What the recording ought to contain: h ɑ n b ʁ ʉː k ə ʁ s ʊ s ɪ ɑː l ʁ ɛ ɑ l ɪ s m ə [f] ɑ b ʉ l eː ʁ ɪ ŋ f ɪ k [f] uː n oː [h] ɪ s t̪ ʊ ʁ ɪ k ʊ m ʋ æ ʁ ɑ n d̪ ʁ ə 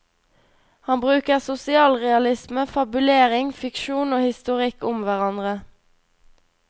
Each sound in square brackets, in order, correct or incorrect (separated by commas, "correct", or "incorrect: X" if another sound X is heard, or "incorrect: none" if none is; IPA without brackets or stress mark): correct, incorrect: ʃ, correct